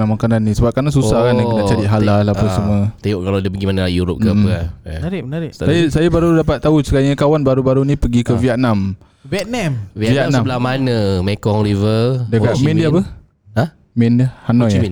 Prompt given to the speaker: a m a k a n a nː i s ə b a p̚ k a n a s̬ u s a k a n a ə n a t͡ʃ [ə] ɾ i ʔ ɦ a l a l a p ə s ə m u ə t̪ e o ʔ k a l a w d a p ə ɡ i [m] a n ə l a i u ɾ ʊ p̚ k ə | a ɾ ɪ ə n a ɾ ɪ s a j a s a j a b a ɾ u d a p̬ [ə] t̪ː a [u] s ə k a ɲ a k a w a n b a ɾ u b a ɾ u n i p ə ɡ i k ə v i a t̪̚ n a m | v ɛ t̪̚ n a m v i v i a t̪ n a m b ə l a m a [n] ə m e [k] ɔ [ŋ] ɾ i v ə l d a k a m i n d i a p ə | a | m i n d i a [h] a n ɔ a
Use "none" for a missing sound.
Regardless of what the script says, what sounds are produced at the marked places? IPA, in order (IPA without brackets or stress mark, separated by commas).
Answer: a, m, a, u, n, k, ŋ, h